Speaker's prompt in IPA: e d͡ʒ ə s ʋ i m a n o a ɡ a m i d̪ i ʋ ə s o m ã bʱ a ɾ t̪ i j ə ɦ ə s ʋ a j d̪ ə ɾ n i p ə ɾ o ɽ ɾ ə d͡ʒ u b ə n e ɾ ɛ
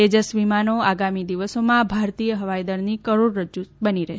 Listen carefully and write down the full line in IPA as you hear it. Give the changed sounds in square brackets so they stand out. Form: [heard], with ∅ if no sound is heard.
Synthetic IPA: e d͡ʒ ə s ʋ i m a n o a ɡ a m i d̪ i ʋ ə s o m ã bʱ a ɾ t̪ i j ə ɦ ə [∅] ʋ a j d̪ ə ɾ n i [k] ə ɾ o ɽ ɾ ə d͡ʒ u b ə n [i] ɾ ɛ